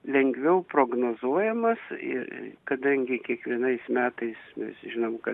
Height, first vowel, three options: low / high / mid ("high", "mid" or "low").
mid